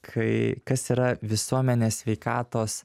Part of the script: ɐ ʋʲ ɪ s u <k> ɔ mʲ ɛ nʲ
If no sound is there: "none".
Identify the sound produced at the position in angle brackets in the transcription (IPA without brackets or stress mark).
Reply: none